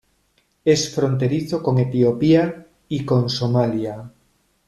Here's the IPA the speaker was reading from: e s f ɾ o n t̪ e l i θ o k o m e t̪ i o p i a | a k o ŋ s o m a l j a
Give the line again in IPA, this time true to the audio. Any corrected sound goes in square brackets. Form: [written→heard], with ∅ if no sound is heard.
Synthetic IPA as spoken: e s f ɾ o n t̪ e [l→ɾ] i θ o k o [m→ŋ] e t̪ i o p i a | [a→i] k o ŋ s o m a l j a

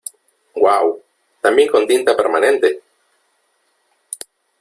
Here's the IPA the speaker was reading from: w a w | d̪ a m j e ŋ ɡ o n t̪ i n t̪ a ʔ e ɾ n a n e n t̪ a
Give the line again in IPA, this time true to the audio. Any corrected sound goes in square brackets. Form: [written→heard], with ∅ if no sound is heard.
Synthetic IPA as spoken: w a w | [d̪→t̪] a m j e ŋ [ɡ→k] o n t̪ i n t̪ a [ʔ→p] e ɾ [n→m] a n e n t̪ [a→e]

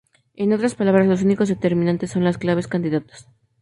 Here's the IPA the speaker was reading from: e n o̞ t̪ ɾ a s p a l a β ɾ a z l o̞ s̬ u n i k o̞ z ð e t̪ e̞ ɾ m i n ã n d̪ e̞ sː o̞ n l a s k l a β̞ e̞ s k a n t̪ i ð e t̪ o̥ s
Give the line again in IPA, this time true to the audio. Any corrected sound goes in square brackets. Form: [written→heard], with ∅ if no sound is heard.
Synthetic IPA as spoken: e n o̞ t̪ ɾ a s p a l a β ɾ a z l o̞ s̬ u n i k o̞ z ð e t̪ e̞ ɾ m i n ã n [d̪→t̪] e̞ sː o̞ n l a s k l a β̞ e̞ s k a n [t̪→d̪] i ð [e→a] t̪ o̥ s

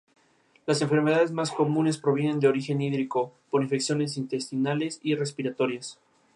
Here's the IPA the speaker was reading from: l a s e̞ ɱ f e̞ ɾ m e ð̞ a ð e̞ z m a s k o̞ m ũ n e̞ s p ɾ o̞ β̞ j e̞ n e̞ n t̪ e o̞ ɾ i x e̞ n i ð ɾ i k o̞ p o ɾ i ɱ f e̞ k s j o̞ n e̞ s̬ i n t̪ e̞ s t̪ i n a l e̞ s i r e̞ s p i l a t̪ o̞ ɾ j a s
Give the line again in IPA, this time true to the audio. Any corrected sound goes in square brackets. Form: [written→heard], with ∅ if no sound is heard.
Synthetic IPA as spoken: l a s e̞ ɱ f e̞ ɾ m e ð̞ a ð e̞ z m a s k o̞ m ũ n e̞ s p ɾ o̞ β̞ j e̞ n e̞ n [t̪→d̪] e o̞ ɾ i x e̞ n i ð ɾ i k o̞ p o ɾ i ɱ f e̞ k s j o̞ n e̞ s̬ i n t̪ e̞ s t̪ i n a l e̞ s i r e̞ s p i [l→ɾ] a t̪ o̞ ɾ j a s

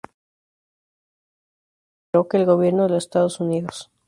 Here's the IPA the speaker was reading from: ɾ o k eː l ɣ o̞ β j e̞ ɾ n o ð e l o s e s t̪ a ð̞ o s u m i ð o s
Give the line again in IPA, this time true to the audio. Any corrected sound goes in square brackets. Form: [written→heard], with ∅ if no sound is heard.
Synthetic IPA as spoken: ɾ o k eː l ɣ o̞ β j e̞ ɾ n o ð e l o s e s t̪ a ð̞ o s u [m→n] i ð o s

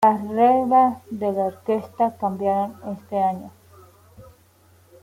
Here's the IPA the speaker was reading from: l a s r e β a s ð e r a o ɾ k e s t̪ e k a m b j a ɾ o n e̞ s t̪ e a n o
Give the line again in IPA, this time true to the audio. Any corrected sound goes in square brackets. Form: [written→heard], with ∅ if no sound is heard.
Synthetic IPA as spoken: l a s r e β a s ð e [r→l] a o ɾ k e s t̪ [e→a] k a m b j a ɾ o n e̞ s t̪ e a [n→ɲ] o

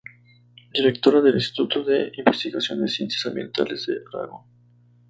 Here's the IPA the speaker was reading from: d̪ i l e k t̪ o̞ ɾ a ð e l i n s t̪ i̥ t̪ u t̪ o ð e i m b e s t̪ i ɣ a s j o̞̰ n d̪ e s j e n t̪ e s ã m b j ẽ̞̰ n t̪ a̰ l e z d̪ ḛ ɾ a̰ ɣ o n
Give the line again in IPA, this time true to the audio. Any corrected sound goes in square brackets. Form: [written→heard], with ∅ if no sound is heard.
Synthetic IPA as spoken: d̪ i [l→ɾ] e k t̪ o̞ ɾ a ð e l i n s t̪ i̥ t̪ u t̪ o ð e i m b e s t̪ i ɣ a s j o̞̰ n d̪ e s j e n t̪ e s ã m b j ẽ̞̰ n t̪ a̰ l e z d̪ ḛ ɾ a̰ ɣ o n

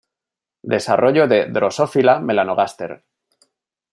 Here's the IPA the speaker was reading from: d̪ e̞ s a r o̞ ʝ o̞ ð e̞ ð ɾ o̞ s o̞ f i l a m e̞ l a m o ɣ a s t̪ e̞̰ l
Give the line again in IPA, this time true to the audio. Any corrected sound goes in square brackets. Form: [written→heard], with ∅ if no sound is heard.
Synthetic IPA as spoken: d̪ e̞ s a r o̞ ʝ o̞ ð e̞ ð ɾ o̞ s o̞ f i l a m e̞ l a [m→n] o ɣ a s t̪ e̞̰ [l→ɾ]

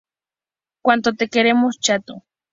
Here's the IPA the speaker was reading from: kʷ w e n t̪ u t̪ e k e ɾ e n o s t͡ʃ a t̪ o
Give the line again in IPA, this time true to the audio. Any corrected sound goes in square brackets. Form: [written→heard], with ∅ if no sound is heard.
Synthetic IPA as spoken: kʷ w [e→a] n t̪ [u→o] t̪ e k e ɾ e [n→m] o s t͡ʃ a t̪ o

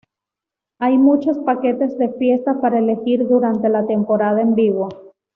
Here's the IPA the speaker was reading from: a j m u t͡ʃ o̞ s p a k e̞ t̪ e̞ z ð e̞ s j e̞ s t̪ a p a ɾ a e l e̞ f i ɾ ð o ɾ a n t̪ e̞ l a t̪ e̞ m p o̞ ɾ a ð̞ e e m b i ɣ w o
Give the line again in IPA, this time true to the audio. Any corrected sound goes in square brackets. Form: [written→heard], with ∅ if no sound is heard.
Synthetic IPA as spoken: a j m u t͡ʃ o̞ s p a k e̞ t̪ e̞ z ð e̞ [s→f] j e̞ s t̪ a p a ɾ a e l e̞ [f→x] i ɾ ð [o→u] ɾ a n t̪ e̞ l a t̪ e̞ m p o̞ ɾ a ð̞ [e→a] e m b i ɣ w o

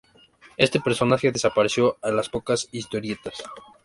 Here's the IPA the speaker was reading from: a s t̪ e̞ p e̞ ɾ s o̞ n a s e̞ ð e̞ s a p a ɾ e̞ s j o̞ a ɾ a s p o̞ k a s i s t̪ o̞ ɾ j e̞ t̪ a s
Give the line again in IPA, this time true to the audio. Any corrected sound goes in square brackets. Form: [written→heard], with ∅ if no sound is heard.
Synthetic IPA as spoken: [a→e] s t̪ e̞ p e̞ ɾ s o̞ n a [s→x] e̞ ð e̞ s a p a ɾ e̞ s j o̞ a [ɾ→l] a s p o̞ k a s i s t̪ o̞ ɾ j e̞ t̪ a s

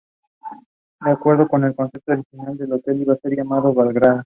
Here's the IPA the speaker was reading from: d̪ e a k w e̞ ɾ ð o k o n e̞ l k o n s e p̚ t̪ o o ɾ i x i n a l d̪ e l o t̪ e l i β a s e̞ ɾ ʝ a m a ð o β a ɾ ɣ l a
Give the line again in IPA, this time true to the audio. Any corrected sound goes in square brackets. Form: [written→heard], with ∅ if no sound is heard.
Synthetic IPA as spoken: d̪ e a k w e̞ ɾ ð o k o n e̞ l k o n s e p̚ t̪ o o ɾ i x i n a l d̪ e l o t̪ e l i β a s e̞ ɾ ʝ a m a ð o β a [ɾ→l] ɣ [l→ɾ] a

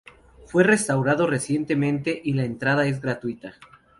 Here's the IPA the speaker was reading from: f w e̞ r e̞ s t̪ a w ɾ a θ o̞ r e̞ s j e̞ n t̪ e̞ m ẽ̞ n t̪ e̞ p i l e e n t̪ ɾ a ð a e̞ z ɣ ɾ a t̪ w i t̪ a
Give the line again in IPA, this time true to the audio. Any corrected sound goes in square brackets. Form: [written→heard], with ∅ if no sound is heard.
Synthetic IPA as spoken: f w e̞ r e̞ s t̪ a w ɾ a [θ→ð] o̞ r e̞ s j e̞ n t̪ e̞ m ẽ̞ n t̪ e̞ [p→ʔ] i l [e→a] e n t̪ ɾ a ð a e̞ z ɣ ɾ a t̪ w i t̪ a

